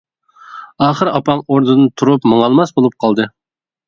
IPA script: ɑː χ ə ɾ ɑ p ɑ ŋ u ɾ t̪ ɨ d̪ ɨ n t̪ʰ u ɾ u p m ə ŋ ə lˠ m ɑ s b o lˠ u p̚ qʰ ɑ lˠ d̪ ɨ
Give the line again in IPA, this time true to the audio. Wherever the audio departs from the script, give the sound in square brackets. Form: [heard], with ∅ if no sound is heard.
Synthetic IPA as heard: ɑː χ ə ɾ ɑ p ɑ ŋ [o] ɾ [d̪] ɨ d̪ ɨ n t̪ʰ u ɾ u p m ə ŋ [ɑ] lˠ m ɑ s b o lˠ u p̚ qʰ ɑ lˠ d̪ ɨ